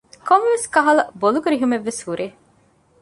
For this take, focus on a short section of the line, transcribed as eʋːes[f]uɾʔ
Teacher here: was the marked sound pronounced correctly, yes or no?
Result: no